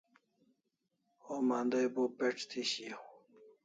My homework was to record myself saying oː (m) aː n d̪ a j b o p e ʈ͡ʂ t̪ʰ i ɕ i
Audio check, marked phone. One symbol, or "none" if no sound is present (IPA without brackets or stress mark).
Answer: m